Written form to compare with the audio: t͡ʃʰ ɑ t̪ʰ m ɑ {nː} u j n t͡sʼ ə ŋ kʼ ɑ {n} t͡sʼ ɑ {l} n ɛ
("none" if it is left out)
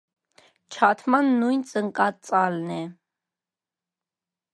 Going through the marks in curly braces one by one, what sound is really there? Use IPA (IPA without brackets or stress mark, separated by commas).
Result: nː, none, l